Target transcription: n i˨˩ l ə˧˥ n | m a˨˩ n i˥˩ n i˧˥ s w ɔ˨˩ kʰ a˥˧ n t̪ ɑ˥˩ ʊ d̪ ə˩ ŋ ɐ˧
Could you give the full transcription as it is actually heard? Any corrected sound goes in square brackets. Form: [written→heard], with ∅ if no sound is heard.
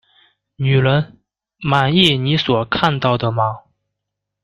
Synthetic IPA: n [i˨˩→y˨˩] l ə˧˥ n | m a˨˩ n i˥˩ n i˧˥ s w ɔ˨˩ kʰ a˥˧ n t̪ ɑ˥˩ ʊ d̪ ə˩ [ŋ→m] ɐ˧